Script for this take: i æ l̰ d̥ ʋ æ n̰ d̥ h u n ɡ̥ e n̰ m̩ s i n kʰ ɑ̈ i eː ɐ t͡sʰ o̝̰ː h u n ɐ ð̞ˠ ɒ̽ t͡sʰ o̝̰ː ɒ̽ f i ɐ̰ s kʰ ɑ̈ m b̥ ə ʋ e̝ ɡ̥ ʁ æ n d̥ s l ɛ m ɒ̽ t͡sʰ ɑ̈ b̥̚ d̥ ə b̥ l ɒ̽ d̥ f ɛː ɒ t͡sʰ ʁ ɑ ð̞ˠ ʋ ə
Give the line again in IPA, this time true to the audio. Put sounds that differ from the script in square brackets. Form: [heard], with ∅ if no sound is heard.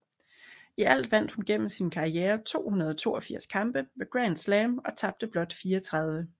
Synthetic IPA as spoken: i æ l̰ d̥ ʋ æ n̰ d̥ h u n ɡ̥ e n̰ m̩ s i n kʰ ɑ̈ i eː ɐ t͡sʰ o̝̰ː h u n ɐ ð̞ˠ ɒ̽ t͡sʰ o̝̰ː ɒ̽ f i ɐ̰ s kʰ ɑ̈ m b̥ ə ʋ e̝ ɡ̥ ʁ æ n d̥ s l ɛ m ɒ̽ t͡sʰ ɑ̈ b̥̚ d̥ ə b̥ l ɒ̽ d̥ f [iː] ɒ t͡sʰ ʁ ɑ ð̞ˠ ʋ ə